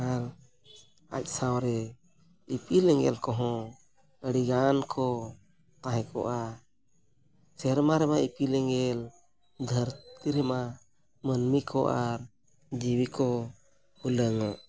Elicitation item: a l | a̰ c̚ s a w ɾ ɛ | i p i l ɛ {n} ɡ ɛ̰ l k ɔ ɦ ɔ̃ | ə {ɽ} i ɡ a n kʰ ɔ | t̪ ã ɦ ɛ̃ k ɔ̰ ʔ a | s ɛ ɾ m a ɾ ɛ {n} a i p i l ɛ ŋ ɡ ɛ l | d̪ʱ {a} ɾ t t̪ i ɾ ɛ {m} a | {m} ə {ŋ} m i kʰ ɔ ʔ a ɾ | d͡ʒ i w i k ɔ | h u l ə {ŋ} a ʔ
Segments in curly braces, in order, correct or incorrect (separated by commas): incorrect, correct, incorrect, incorrect, correct, correct, incorrect, correct